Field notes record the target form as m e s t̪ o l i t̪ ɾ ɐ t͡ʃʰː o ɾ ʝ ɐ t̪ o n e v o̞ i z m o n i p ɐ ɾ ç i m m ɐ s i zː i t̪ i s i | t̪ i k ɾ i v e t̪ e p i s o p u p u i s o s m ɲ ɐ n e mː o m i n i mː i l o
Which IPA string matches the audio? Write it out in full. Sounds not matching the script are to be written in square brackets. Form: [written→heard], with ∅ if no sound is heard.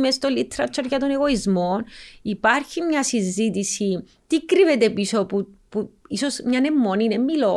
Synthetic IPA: m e s t̪ o l i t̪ ɾ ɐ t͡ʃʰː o ɾ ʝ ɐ t̪ o n e [v→ɣ] o̞ i z m o n i p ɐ ɾ ç i m [m→ɲ] ɐ s i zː i t̪ i s i | t̪ i k ɾ i v e t̪ e p i s o p u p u i s o s m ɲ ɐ n e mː o [m→n] i n [i→e] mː i l o